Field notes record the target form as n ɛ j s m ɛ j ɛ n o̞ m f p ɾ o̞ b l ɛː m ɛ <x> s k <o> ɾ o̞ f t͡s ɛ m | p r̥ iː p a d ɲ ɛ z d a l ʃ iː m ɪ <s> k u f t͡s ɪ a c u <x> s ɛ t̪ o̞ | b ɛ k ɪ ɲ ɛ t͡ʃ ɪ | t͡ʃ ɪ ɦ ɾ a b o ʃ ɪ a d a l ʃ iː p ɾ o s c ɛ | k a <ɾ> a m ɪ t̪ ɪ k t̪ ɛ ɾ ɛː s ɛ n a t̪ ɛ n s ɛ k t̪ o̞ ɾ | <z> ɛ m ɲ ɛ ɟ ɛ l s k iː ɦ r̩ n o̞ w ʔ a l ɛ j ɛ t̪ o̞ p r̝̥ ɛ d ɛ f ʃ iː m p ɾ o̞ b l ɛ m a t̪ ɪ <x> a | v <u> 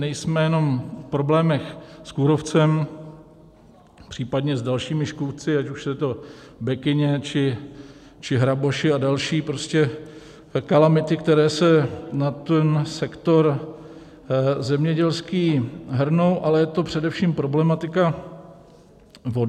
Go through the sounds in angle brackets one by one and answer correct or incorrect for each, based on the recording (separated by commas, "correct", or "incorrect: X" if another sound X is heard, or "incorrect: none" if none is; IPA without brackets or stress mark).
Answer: correct, incorrect: u, incorrect: ʃ, incorrect: ʃ, incorrect: l, correct, incorrect: k, incorrect: o